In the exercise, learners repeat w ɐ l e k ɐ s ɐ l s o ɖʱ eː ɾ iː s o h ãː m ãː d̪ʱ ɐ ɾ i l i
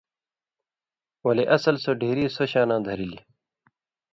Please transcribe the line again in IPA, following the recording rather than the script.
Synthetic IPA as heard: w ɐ l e ʔ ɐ s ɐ l s o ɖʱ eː ɾ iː s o ɕ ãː n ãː d̪ʱ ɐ ɾ i l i